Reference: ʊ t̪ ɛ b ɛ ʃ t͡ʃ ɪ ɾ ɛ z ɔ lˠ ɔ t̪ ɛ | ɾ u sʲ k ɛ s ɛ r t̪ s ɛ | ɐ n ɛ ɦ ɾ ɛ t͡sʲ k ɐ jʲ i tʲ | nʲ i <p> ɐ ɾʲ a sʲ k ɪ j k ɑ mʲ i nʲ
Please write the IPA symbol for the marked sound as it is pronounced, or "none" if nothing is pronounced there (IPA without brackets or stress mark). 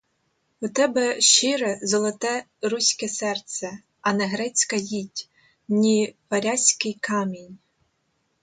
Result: p